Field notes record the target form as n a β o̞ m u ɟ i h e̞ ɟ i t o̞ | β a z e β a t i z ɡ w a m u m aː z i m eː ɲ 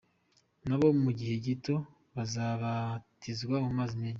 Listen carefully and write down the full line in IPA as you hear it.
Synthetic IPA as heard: n a β o̞ m u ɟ i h e̞ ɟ i t o̞ | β a z a β a t i z ɡ w a m u m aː z i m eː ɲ